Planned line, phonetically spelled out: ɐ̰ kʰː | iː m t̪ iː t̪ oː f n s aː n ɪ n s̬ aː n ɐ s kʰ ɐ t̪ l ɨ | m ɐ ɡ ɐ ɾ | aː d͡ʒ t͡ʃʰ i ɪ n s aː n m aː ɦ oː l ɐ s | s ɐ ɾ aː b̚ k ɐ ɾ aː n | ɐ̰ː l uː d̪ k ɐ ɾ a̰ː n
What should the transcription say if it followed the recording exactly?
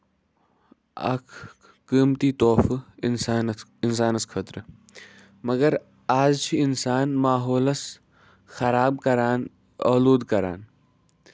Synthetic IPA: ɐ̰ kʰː | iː m t̪ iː t̪ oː f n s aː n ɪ n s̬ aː n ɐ s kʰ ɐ t̪ ɾ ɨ | m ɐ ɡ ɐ ɾ | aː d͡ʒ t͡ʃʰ i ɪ n s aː n m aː ɦ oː l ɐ s | x ɐ ɾ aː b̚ k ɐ ɾ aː n | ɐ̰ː l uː d̪ k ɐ ɾ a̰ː n

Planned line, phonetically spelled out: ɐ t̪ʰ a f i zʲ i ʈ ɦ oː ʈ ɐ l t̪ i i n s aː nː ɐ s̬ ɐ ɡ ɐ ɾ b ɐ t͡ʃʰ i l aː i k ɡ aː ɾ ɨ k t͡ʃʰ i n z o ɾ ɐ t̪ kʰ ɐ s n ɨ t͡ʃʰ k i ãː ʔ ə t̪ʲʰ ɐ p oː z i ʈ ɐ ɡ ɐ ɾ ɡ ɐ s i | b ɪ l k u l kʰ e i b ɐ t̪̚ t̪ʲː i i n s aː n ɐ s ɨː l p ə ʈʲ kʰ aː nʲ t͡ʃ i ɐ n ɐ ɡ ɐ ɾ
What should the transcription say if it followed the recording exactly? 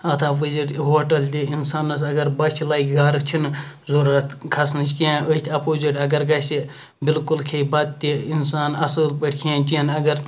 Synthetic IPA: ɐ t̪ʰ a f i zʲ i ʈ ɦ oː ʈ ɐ l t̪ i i n s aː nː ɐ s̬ ɐ ɡ ɐ ɾ b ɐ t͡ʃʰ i l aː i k ɡ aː ɾ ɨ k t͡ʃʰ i n z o ɾ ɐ t̪ kʰ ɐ s n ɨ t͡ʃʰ k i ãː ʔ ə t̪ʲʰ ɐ p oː z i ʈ ɐ ɡ ɐ ɾ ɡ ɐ s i | b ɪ l k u l kʰ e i b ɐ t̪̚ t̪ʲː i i n s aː n ɐ s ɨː l p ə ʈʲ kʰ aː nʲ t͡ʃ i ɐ n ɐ ɡ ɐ ɾ

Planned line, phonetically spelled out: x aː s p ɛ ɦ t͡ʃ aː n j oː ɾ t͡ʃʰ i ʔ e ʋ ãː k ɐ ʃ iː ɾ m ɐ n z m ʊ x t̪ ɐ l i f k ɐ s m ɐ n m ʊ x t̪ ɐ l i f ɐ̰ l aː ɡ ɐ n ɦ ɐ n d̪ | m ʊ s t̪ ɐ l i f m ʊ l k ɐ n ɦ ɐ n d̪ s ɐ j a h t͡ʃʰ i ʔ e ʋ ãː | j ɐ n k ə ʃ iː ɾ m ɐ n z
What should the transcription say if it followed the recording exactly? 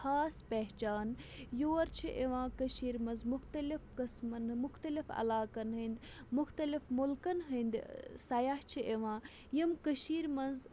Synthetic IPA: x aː s p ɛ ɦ t͡ʃ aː n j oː ɾ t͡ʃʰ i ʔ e ʋ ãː k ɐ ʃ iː ɾ m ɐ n z m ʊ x t̪ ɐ l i f k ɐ s m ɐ n m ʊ x t̪ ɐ l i f ɐ̰ l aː k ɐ n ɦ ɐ n d̪ | m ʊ x t̪ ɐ l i f m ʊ l k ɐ n ɦ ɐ n d̪ s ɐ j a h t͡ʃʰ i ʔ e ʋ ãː | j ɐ m k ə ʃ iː ɾ m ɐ n z

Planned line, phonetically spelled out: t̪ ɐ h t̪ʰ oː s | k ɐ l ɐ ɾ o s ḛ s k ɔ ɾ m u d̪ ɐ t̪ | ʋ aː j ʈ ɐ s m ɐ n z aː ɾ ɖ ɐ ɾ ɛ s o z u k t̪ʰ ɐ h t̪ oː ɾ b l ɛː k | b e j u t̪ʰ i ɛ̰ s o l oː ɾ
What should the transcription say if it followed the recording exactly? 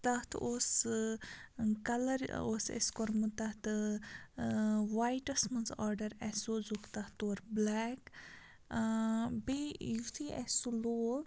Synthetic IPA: t̪ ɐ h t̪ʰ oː s | k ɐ l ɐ ɾ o s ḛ s k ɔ ɾ m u t̪ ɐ t̪ | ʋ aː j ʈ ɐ s m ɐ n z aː ɾ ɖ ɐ ɾ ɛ s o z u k t̪ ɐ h t̪ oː ɾ b l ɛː k | b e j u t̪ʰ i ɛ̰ s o l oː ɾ

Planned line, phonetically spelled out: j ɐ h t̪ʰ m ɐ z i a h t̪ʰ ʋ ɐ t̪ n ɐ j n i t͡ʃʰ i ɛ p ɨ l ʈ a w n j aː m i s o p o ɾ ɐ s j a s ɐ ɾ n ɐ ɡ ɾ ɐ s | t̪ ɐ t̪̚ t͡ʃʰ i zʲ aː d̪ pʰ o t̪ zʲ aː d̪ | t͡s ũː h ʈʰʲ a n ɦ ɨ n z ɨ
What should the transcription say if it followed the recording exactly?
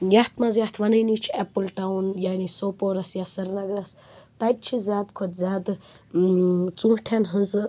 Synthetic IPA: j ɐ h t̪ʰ m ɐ z j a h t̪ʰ ʋ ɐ n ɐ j n i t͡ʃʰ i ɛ p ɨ l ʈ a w n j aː n i s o p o ɾ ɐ s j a s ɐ ɾ n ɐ ɡ ɾ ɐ s | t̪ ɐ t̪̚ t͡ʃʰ i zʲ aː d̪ kʰ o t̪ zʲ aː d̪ | t͡s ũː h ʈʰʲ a n ɦ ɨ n z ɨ

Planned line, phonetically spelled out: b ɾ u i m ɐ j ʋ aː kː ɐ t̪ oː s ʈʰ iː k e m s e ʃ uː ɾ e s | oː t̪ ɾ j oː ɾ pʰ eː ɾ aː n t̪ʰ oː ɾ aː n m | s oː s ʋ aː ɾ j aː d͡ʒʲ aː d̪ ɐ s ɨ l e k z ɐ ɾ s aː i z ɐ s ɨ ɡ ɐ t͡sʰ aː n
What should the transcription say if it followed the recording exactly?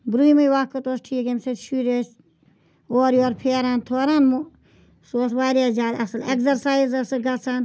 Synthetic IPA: b ɾ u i m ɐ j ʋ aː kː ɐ t̪ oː s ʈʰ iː k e m s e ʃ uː ɾ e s | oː ɾ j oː ɾ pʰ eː ɾ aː n t̪ʰ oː ɾ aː n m | s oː s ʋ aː ɾ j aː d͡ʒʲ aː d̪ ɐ s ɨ l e k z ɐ ɾ s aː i z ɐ s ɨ ɡ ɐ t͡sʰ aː n

